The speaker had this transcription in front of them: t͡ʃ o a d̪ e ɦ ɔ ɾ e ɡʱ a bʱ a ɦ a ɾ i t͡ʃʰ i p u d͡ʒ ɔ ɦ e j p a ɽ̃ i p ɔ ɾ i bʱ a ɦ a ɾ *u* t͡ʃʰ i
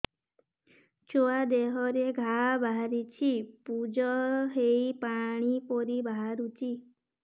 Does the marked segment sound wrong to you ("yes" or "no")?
no